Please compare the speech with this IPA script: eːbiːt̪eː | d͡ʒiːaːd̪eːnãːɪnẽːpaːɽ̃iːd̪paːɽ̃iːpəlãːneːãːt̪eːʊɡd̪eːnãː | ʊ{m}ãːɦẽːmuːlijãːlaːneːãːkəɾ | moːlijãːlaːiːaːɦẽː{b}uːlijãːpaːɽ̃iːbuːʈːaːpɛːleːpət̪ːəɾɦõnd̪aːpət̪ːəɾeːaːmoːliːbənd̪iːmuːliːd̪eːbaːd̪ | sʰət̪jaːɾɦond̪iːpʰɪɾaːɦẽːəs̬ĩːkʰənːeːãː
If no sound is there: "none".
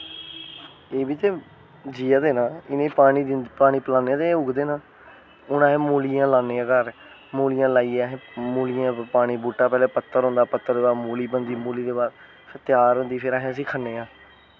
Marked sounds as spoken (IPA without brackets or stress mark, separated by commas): n, m